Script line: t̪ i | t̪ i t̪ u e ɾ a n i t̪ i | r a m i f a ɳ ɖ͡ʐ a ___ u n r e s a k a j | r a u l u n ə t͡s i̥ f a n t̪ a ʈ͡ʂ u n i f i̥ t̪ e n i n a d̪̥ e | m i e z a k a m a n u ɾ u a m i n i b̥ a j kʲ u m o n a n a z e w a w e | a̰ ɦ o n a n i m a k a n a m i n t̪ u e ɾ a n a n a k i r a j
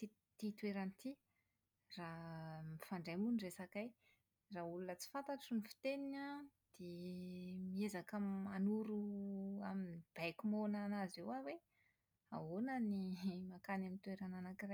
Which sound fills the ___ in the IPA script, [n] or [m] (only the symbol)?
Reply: m